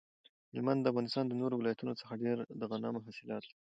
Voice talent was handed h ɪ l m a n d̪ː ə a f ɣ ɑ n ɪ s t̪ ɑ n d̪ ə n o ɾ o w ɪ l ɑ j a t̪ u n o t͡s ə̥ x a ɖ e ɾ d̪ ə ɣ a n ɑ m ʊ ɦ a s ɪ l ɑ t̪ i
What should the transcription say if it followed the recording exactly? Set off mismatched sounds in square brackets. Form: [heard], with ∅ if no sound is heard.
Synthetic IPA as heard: h ɪ l m a n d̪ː ə a f ɣ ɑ n ɪ s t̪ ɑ n d̪ ə n o ɾ o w ɪ l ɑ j a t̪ u n o t͡s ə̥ x a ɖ e ɾ d̪ ə ɣ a n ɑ m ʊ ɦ a s ɪ l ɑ t̪ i

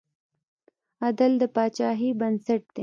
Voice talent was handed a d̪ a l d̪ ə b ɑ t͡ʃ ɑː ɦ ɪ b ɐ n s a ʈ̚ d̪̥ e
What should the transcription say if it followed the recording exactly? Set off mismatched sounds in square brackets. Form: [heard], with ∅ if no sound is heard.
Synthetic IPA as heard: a d̪ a l d̪ ə [p] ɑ t͡ʃ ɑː ɦ [i] b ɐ n s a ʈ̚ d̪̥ e

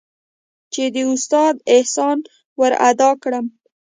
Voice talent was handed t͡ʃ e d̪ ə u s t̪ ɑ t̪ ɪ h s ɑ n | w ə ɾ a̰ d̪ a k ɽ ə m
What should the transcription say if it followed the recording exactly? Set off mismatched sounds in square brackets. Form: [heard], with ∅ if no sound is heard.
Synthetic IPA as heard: t͡ʃ e d̪ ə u s t̪ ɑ [d̪] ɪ h s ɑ n | w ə ɾ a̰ d̪ [ɑ] k ɽ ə m

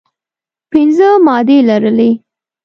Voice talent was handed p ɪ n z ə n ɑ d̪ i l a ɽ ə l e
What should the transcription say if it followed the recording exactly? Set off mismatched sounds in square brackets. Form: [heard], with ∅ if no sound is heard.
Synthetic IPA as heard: p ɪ n z ə [m] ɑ d̪ [e] l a [ɾ] ə l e

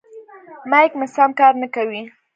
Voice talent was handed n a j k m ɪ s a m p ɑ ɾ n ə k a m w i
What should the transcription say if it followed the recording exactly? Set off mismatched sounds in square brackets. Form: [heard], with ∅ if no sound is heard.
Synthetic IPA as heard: [m] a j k m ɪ s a m [k] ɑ ɾ n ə k a [∅] w i

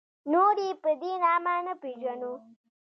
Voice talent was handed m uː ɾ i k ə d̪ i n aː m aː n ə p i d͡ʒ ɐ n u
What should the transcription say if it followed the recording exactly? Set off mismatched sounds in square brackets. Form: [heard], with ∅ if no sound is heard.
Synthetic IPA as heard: [n] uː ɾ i [p] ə d̪ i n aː m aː n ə p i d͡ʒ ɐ n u

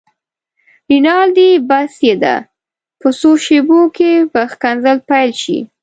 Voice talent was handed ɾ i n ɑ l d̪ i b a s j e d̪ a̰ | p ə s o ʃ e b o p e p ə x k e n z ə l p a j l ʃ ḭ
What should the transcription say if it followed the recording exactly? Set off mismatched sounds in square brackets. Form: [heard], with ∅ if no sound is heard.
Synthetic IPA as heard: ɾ i n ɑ l d̪ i b a s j e d̪ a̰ | p ə s o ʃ e b o [k] e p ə x k [a] n z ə l p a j l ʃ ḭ

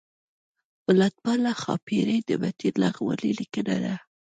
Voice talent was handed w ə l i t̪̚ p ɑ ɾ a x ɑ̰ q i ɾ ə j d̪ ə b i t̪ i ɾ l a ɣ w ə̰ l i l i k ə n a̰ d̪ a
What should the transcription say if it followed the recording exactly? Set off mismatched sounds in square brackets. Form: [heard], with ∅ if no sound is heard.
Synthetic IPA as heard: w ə l [a] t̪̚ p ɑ [l] a x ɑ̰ [p] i ɾ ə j d̪ ə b [a] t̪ i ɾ l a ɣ w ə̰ l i l i k ə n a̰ d̪ a

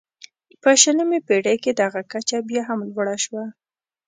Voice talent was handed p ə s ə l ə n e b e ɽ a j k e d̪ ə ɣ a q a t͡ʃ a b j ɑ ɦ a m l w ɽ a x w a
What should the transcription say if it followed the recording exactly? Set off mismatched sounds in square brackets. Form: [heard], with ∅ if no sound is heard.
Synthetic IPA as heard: p ə [ʃ] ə l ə [m] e [p] e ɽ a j k e d̪ [a] ɣ a [k] a t͡ʃ a b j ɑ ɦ a m l w ɽ a [ʃ] w a

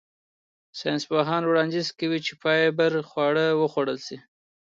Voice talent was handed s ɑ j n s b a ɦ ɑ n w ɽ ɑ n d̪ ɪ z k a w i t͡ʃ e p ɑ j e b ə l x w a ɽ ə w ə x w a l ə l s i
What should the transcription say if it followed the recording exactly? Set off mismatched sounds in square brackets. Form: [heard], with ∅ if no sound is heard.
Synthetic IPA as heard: s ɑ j n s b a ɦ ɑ n w ɽ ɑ n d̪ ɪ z k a w i t͡ʃ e p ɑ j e b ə [ɾ] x w [ɑ] ɽ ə w ə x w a [ɽ] ə l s i

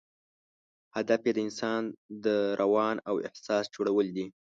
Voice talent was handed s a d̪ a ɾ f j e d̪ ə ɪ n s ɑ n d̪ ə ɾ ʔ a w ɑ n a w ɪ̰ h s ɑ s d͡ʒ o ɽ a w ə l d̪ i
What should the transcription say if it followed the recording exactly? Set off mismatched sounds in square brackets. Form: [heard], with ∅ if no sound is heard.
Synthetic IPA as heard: [h] a d̪ a [∅] f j e d̪ ə ɪ n s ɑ n d̪ ə ɾ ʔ a w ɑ n a w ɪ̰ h s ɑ s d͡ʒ o ɽ a w ə l d̪ i

